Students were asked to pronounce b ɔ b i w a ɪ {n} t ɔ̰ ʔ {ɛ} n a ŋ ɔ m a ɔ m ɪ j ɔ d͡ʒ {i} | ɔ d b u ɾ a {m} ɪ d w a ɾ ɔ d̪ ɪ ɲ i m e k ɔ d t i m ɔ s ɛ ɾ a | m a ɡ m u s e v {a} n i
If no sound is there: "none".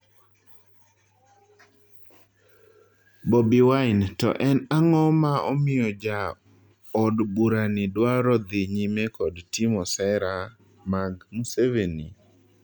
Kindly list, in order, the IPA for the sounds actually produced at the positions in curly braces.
n, ɛ, a, n, e

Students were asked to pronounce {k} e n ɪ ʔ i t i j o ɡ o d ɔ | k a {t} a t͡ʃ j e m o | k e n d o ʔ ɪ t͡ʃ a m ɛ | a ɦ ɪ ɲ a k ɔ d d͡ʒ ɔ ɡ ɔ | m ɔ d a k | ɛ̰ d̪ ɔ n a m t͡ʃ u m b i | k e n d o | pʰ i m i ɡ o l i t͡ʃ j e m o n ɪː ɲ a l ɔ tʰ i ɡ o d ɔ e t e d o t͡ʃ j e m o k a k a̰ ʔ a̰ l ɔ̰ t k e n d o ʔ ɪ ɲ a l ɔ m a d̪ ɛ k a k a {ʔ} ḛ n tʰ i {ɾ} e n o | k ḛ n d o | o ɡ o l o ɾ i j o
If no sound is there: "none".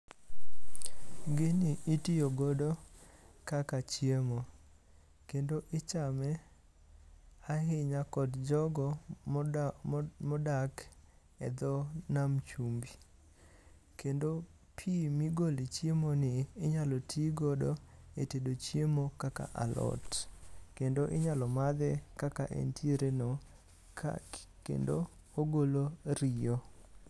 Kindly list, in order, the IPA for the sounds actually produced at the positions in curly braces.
ɡ, k, ʔ, ɾ

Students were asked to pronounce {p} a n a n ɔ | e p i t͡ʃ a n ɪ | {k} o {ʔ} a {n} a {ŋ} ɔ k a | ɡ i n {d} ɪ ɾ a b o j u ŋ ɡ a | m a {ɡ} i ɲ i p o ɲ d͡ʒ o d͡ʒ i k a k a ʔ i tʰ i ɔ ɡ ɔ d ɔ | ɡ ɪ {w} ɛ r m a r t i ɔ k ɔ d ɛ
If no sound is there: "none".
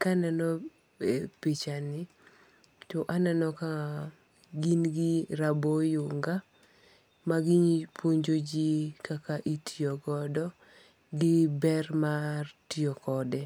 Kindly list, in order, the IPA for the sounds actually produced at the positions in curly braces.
k, t, ʔ, n, n, ɡ, ɡ, b

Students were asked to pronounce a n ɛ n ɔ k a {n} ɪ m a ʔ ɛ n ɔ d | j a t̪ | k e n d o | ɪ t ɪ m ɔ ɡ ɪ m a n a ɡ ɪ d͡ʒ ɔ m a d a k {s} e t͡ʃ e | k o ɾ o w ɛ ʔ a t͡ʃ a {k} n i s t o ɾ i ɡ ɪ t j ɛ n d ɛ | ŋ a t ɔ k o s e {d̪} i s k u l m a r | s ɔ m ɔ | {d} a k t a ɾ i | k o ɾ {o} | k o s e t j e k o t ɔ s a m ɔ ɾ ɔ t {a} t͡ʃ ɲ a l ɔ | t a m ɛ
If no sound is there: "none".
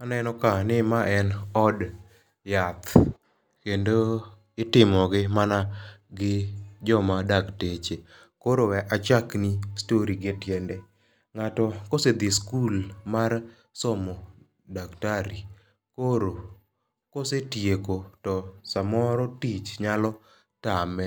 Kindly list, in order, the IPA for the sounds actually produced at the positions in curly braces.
n, t, k, d̪, d, o, i

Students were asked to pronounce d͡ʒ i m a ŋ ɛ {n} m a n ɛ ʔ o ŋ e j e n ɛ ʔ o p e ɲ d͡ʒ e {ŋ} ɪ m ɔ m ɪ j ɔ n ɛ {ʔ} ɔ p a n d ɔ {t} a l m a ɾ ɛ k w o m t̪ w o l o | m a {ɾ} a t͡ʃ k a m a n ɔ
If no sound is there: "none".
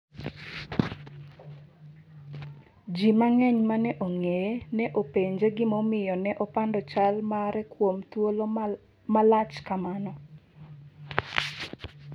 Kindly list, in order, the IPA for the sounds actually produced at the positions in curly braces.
ɲ, ɡ, ʔ, t͡ʃ, l

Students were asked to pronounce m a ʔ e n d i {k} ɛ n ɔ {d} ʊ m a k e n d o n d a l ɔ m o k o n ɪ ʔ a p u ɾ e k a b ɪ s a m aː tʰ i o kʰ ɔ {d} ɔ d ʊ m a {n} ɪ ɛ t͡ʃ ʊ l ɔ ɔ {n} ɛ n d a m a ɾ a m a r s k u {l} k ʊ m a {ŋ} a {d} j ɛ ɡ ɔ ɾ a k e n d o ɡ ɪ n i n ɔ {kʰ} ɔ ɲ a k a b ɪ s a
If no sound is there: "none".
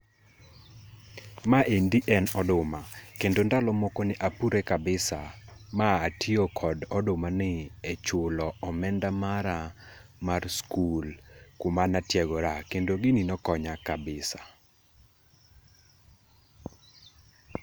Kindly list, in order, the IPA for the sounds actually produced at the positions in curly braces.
ʔ, d, d, n, m, l, n, t, k

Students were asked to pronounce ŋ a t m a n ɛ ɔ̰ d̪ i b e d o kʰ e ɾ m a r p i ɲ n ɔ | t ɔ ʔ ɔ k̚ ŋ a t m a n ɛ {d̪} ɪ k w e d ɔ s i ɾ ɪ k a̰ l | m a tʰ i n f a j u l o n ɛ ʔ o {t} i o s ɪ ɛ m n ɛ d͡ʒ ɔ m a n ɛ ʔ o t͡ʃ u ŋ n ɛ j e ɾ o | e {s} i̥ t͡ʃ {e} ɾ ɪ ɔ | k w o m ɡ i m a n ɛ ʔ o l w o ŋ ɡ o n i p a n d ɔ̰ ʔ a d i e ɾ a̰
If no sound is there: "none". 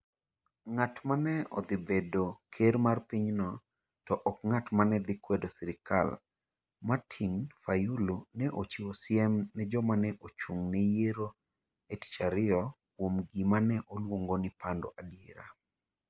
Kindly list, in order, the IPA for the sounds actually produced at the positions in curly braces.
d̪, t͡ʃ, t, a

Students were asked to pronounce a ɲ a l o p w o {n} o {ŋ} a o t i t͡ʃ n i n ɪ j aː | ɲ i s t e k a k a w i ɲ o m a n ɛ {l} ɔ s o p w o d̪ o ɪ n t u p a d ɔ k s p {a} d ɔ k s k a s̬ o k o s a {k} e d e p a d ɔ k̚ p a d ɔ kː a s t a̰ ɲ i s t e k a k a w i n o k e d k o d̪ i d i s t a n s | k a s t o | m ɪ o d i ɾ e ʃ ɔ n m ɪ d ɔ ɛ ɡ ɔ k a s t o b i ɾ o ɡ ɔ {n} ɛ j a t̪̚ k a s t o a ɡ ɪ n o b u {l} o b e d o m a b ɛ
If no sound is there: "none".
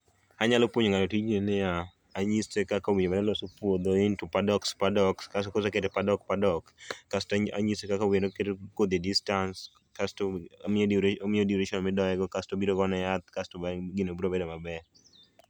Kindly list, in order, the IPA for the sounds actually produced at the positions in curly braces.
ɲ, ŋ, l, a, k, n, ɾ

